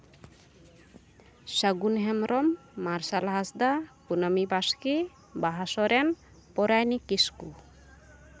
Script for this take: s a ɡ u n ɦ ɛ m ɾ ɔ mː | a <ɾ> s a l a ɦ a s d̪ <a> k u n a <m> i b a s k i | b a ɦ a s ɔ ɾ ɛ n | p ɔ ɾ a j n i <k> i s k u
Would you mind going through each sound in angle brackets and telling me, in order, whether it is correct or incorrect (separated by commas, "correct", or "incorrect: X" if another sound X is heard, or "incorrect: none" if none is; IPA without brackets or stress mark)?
correct, correct, correct, correct